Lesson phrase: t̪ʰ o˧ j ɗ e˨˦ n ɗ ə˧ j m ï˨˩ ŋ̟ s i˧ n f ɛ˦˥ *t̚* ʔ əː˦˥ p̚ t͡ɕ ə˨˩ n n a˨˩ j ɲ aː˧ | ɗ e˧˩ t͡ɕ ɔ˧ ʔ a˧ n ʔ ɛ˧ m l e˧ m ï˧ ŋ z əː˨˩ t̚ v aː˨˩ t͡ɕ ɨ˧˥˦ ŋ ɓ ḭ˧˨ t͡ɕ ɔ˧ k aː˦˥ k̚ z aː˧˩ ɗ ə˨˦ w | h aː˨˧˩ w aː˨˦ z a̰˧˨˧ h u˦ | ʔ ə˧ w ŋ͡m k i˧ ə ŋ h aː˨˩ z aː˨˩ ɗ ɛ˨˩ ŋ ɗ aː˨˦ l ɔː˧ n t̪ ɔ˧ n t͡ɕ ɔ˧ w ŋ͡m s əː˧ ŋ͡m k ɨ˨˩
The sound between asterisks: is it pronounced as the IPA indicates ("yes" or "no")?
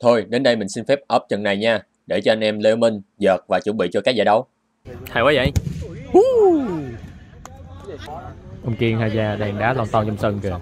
no